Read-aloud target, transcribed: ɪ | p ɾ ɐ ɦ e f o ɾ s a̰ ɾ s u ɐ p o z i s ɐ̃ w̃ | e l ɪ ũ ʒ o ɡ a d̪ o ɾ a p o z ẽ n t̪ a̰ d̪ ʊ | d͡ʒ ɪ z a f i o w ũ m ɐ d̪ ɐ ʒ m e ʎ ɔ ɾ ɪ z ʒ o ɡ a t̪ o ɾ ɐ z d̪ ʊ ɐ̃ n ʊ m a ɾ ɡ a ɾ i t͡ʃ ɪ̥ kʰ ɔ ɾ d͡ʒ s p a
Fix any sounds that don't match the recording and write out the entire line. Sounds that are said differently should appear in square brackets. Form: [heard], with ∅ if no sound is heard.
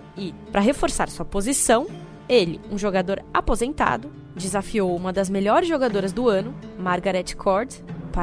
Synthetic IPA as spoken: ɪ | p ɾ ɐ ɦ e f o ɾ s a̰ ɾ s u ɐ p o z i s ɐ̃ w̃ | e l ɪ ũ ʒ o ɡ a d̪ o ɾ a p o z ẽ n t̪ a̰ d̪ ʊ | d͡ʒ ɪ z a f i o w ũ m ɐ d̪ ɐ [z] m e ʎ ɔ ɾ ɪ z ʒ o ɡ a [d̪] o ɾ ɐ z d̪ ʊ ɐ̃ n ʊ m a ɾ ɡ a ɾ [ɛ] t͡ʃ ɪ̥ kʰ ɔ ɾ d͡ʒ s p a